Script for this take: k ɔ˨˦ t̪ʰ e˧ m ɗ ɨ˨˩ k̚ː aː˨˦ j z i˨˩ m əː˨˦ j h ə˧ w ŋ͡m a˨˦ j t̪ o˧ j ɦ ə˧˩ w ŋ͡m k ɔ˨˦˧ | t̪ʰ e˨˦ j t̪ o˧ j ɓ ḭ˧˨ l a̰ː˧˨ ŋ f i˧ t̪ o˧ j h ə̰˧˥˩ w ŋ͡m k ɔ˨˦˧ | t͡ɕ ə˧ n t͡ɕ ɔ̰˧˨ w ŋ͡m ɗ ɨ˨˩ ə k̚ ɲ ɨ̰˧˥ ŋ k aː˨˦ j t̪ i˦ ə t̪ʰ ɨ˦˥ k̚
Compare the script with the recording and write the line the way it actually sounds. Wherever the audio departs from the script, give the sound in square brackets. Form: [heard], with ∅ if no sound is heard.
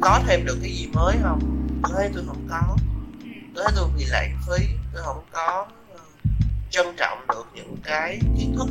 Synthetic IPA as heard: k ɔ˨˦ t̪ʰ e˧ m ɗ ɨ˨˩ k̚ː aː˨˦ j z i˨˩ m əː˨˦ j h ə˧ w ŋ͡m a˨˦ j t̪ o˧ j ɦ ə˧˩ w ŋ͡m k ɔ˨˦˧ | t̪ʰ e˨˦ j t̪ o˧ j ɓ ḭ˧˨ l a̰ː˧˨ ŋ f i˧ t̪ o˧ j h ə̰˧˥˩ w ŋ͡m k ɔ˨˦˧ | t͡ɕ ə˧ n t͡ɕ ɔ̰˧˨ w ŋ͡m ɗ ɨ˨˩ ə k̚ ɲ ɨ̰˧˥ ŋ k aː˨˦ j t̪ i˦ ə t̪ʰ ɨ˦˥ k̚